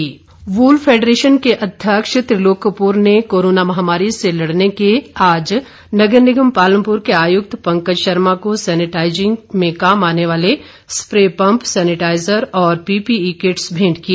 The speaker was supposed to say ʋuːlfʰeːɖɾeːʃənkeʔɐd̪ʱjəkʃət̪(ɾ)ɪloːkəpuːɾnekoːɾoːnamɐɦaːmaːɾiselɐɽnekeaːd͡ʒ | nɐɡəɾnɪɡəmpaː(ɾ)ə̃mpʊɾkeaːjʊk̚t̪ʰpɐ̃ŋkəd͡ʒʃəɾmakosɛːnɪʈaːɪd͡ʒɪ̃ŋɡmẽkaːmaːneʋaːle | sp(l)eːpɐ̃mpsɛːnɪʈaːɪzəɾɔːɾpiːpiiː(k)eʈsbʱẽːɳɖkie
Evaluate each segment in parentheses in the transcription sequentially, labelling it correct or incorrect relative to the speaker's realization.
correct, incorrect: l, incorrect: ɾ, correct

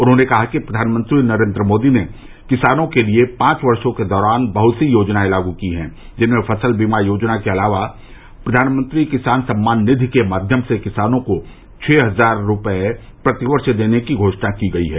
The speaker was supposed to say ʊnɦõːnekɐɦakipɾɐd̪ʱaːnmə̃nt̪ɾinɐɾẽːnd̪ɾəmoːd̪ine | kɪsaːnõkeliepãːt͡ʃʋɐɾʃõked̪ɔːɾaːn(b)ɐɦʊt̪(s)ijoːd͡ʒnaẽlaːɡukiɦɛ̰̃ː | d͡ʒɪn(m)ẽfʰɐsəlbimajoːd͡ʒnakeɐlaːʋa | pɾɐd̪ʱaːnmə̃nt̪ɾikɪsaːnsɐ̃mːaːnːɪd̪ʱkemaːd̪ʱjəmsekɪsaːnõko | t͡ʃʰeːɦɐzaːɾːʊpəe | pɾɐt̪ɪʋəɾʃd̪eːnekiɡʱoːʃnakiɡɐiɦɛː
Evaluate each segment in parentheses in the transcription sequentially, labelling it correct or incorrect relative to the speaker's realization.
correct, correct, correct

